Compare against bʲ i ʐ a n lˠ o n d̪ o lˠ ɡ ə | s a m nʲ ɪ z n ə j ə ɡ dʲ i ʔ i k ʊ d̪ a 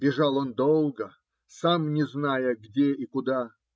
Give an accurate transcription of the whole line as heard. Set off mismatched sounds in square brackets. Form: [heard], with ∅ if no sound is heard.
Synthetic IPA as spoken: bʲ [ɪ] ʐ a [∅] lˠ o n d̪ o lˠ ɡ ə | s a m nʲ ɪ z n [a] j ə ɡ dʲ [e] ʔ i k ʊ d̪ a